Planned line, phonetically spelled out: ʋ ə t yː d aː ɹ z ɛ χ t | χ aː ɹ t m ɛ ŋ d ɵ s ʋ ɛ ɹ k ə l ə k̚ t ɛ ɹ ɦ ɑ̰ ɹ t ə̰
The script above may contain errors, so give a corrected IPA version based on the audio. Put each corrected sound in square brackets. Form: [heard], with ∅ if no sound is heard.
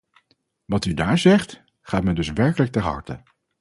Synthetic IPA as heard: ʋ [ɑ] t [y] d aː ɹ z ɛ χ t | χ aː [∅] t m ɛ [n] d ɵ s ʋ ɛ ɹ k ə l ə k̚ t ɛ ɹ ɦ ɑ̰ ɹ t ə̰